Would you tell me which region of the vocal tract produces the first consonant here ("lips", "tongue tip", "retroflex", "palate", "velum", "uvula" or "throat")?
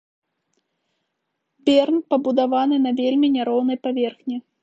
lips